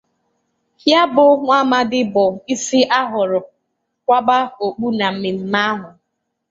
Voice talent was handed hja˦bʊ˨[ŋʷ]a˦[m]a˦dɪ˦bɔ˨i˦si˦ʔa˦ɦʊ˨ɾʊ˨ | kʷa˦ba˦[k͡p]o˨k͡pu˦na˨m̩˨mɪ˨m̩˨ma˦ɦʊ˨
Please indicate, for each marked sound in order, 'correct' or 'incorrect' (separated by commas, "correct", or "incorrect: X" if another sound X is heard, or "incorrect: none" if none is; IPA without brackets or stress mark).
correct, correct, incorrect: none